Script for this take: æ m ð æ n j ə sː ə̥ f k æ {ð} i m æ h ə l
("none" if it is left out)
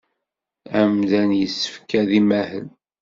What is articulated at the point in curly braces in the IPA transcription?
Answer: ð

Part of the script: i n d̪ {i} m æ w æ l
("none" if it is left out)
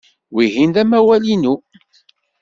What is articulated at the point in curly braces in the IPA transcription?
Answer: æ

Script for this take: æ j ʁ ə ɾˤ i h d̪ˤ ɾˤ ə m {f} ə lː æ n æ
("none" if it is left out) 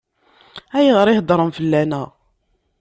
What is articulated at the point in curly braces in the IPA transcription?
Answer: f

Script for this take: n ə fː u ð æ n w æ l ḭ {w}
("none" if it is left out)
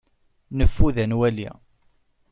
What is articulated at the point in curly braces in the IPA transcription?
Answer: none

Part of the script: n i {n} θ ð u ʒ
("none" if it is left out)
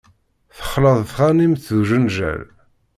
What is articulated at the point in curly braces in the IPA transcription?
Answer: m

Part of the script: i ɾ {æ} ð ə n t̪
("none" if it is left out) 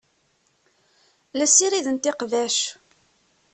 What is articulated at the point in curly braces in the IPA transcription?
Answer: i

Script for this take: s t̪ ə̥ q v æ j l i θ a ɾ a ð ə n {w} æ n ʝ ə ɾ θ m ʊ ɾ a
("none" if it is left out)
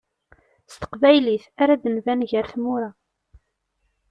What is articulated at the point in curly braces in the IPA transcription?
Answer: v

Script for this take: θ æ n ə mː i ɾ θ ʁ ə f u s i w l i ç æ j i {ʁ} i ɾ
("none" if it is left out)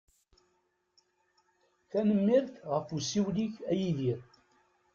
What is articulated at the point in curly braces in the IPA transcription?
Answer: ð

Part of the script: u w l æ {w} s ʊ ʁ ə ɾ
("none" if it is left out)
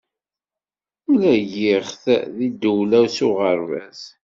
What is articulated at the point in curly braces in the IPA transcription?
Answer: w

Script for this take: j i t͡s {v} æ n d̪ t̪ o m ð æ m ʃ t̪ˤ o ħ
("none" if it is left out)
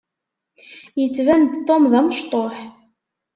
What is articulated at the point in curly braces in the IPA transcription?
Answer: v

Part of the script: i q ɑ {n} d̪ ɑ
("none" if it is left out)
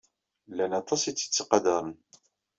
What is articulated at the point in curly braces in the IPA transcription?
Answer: none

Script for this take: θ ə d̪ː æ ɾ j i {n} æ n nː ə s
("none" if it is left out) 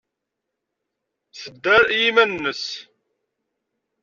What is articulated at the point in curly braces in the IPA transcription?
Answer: m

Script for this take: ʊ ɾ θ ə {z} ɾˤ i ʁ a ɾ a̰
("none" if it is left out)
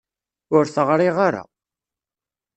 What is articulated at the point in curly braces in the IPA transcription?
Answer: ʁ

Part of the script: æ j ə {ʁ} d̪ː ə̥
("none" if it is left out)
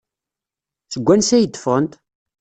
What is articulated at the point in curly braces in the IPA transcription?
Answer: none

